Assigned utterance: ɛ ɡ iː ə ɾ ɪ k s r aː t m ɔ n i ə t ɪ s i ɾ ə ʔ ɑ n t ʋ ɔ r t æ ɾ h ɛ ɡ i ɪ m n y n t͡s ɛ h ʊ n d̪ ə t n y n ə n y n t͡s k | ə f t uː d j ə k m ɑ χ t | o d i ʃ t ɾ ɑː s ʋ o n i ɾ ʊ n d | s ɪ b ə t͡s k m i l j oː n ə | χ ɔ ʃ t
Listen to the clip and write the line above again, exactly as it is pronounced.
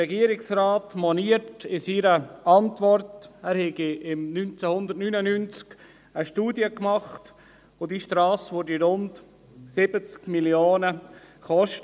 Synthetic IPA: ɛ ɡ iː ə ɾ ɪ k s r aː t m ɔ n i ə t ɪ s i ɾ ə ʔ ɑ n t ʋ ɔ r t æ ɾ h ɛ ɡ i ɪ m n y n t͡s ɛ h ʊ n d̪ ə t n y n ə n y n t͡s k | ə ʃ t uː d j ə k m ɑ χ t | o d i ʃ t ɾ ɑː s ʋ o d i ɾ ʊ n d | s ɪ b ə t͡s k m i l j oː n ə | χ ɔ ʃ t